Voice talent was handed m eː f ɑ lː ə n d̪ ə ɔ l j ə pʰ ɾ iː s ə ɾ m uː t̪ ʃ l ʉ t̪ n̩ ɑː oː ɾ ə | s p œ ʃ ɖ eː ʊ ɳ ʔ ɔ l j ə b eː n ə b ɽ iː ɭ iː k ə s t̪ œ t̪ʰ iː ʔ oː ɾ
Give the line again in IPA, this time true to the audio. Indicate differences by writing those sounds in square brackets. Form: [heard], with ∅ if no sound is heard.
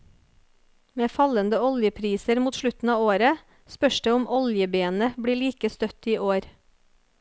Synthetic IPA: m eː f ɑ [l] ə n d̪ ə ɔ l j ə pʰ ɾ iː s ə ɾ m uː t̪ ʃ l ʉ t̪ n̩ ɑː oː ɾ ə | s p œ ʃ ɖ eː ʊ [m] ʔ ɔ l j ə b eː n ə b ɽ iː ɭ iː k ə s t̪ œ [t̪] iː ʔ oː ɾ